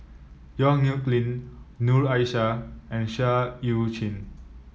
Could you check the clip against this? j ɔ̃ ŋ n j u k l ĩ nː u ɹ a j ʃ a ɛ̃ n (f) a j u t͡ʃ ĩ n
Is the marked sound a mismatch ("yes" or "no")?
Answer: yes